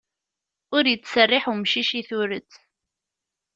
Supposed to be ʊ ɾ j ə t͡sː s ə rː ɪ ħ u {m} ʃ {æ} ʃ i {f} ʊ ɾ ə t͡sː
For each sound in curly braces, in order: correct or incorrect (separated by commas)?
correct, incorrect, incorrect